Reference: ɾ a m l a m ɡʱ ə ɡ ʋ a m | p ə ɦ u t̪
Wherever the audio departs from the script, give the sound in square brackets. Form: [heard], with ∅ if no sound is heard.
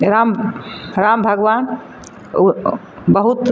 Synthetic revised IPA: ɾ a m [ɾ] a m [bʱ] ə ɡ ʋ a [n] | [b] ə ɦ u t̪